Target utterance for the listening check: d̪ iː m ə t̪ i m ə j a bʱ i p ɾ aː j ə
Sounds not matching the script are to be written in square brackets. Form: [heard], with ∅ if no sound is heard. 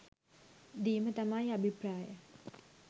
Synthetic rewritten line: d̪ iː m ə t̪ [a] m [a] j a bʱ i p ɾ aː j ə

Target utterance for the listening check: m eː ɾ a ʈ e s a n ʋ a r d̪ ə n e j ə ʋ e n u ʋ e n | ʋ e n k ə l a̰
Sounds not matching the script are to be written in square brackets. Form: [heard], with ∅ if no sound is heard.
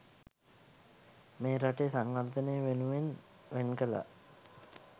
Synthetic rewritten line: m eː ɾ a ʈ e s a [ŋ] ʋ a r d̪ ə n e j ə ʋ e n u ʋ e n | ʋ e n k ə l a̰

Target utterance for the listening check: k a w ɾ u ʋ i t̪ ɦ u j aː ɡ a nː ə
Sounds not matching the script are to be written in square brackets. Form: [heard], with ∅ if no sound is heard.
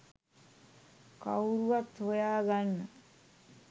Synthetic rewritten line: k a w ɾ u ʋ [a] t̪ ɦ [o] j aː ɡ a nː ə

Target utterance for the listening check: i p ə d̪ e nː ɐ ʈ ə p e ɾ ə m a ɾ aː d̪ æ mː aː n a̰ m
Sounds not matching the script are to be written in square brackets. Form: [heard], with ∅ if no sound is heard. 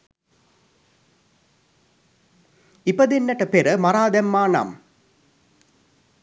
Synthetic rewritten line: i p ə d̪ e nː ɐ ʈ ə p e ɾ ə m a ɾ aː d̪ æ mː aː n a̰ m

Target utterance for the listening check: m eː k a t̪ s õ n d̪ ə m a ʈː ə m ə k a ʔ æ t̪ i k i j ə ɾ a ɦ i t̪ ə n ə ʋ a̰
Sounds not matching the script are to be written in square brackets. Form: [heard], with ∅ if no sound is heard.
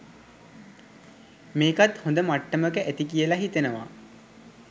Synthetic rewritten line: m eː k a t̪ [h] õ n d̪ ə m a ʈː ə m ə k [ə] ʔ æ t̪ i k i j ə [l] a ɦ i t̪ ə n ə ʋ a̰

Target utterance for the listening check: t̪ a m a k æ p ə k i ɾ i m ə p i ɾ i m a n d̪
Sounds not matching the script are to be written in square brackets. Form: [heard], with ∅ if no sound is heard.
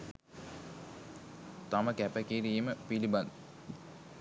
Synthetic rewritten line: t̪ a m [ə] k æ p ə k i ɾ i m ə p i [l] i [b] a n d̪

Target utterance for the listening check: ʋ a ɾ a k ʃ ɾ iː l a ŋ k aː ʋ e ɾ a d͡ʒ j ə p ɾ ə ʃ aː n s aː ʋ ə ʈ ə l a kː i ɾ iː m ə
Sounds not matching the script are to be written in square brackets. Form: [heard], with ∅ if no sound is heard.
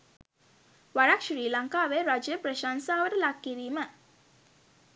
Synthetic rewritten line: ʋ a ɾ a k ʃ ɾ iː l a ŋ k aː ʋ e ɾ a d͡ʒ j ə p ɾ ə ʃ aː n s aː ʋ ə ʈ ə l a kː i ɾ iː m ə

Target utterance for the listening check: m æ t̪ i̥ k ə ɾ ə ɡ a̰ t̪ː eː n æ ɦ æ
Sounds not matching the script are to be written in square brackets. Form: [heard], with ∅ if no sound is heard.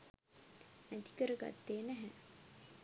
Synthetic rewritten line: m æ t̪ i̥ k ə ɾ ə ɡ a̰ t̪ː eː n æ ɦ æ

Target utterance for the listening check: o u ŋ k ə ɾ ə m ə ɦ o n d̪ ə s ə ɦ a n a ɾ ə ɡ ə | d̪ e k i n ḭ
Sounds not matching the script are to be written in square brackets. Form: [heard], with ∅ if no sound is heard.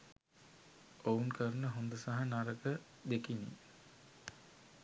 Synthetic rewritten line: o u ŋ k ə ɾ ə [n] ə ɦ o n d̪ ə s [a] ɦ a n a ɾ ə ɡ ə | d̪ e k i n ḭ

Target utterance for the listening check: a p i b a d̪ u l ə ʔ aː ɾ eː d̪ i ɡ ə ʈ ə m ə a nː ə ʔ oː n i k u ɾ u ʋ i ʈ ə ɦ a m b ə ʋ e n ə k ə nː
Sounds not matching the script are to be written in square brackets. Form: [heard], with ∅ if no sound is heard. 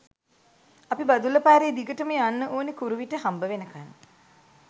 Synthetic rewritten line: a p i b a d̪ u l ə [p] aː ɾ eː d̪ i ɡ ə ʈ ə m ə a nː ə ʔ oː n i k u ɾ u ʋ i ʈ ə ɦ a m b ə ʋ e n ə k [a] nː

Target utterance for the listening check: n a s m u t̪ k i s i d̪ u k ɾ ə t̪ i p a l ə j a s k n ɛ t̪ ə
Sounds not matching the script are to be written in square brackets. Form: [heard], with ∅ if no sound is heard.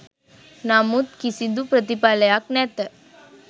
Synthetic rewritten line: n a [∅] m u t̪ k i s i d̪ u [p] ɾ ə t̪ i p a l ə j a [∅] k n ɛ t̪ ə

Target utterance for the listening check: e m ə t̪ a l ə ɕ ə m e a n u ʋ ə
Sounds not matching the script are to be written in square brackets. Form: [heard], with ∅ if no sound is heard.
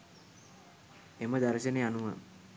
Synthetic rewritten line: e m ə [d̪] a [ɾ] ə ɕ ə [n] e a n u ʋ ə

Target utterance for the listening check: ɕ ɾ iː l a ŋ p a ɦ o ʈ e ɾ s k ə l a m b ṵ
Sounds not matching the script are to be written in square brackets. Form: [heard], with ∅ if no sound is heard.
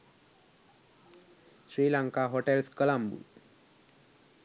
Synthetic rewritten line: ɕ ɾ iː l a ŋ [k] a ɦ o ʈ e [l] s k ə l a m b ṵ

